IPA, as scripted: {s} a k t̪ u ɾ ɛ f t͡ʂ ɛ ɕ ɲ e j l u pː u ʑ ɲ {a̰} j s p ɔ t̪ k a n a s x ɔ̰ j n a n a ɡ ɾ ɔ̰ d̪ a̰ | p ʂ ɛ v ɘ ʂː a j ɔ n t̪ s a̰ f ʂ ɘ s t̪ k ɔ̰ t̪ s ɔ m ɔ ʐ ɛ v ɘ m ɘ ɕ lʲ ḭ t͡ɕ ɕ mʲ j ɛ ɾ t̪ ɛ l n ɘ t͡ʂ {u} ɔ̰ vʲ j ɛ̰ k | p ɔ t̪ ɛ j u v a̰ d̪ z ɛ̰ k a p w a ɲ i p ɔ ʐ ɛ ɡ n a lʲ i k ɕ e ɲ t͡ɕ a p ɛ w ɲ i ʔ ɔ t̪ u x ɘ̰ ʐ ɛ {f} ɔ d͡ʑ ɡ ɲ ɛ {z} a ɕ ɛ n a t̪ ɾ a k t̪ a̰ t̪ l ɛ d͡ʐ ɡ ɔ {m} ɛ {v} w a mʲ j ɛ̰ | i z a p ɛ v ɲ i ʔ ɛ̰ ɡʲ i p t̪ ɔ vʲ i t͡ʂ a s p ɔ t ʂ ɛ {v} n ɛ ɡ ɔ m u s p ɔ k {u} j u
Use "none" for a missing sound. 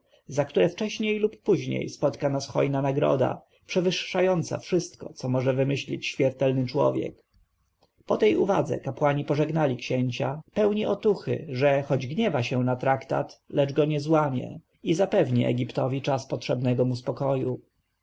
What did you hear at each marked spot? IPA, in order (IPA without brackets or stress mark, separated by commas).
z, ḛ, w, x, v, ɲ, z, b, ɔ